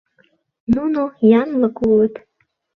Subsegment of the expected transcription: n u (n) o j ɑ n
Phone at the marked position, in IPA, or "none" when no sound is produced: n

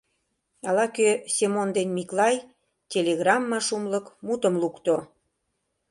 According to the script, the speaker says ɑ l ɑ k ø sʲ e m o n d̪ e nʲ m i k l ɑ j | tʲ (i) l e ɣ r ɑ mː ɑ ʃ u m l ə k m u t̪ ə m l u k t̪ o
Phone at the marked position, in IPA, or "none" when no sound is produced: e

